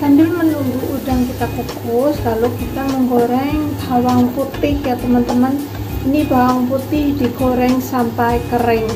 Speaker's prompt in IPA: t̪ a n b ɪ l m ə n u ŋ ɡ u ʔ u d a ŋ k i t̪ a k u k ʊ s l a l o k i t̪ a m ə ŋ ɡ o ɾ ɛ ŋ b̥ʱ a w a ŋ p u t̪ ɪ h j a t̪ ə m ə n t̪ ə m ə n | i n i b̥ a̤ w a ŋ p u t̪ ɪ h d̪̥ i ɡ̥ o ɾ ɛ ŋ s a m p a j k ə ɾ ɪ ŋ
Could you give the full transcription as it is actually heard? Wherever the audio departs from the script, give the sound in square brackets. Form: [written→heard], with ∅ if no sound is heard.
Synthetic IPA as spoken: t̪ a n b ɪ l m ə n u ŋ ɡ u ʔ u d a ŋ k i t̪ a k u k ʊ s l a l o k i t̪ a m ə ŋ ɡ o ɾ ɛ ŋ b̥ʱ a w a ŋ p u t̪ ɪ h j a t̪ ə m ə n t̪ ə m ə n | i n i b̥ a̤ w a ŋ p u t̪ ɪ h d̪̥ i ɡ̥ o ɾ ɛ ŋ s a m p a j k ə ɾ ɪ ŋ